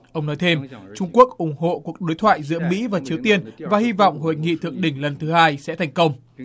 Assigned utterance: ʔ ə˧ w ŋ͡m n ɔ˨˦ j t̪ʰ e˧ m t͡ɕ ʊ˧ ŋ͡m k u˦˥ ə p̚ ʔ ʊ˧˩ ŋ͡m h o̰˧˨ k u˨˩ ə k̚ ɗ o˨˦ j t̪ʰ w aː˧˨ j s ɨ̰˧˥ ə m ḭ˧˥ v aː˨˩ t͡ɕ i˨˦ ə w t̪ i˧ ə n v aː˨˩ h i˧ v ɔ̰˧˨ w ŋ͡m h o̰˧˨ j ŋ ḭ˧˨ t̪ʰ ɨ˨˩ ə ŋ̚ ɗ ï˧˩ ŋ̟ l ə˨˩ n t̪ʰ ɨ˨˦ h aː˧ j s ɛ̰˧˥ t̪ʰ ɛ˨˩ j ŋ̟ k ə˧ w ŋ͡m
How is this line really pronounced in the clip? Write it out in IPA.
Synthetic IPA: ʔ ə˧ w ŋ͡m n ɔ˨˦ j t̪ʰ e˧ m t͡ɕ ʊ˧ ŋ͡m k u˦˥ ə k̚ ʔ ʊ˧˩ ŋ͡m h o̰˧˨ k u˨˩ ə k̚ ɗ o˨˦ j t̪ʰ w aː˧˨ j z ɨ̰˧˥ ə m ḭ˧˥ v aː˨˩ t͡ɕ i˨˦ ə w t̪ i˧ ə n v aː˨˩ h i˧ v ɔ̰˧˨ w ŋ͡m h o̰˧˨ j ŋ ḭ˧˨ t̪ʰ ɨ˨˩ ə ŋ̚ ɗ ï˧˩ ŋ̟ l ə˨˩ n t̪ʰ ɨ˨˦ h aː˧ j s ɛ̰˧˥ t̪ʰ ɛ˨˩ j ŋ̟ k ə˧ w ŋ͡m